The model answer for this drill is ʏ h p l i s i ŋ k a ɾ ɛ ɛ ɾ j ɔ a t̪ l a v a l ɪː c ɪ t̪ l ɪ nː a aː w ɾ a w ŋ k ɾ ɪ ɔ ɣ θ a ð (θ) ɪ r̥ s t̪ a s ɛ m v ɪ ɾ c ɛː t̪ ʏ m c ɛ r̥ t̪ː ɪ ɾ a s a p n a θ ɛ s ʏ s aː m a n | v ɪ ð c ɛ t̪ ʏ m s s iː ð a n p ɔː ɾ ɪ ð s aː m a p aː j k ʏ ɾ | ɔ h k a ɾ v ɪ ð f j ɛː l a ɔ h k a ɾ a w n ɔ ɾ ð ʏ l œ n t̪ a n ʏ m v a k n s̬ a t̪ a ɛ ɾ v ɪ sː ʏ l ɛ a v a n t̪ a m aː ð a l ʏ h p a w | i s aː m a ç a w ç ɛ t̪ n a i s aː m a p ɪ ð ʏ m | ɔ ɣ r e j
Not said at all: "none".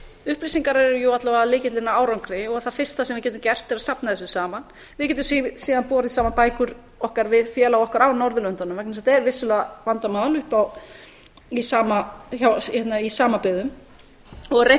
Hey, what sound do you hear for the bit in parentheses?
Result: f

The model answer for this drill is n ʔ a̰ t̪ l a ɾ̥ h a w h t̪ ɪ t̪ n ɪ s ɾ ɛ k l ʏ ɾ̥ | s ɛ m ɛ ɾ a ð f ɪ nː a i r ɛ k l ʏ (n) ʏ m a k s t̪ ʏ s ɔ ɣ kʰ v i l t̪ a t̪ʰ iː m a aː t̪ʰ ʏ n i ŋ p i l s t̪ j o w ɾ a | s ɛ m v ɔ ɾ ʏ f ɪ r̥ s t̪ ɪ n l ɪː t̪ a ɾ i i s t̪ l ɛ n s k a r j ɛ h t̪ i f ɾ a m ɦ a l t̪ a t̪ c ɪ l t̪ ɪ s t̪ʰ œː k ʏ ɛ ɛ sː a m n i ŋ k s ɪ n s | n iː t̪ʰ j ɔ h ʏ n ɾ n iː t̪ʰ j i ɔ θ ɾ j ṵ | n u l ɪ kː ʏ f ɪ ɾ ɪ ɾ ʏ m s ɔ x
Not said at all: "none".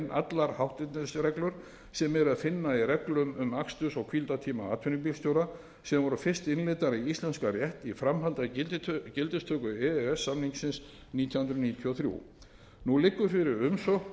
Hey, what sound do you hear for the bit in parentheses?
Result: m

